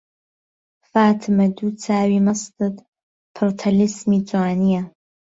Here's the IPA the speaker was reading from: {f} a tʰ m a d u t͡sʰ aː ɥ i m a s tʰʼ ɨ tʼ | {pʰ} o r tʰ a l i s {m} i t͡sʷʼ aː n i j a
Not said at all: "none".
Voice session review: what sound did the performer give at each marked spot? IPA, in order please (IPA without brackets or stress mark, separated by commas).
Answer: f, pʰ, m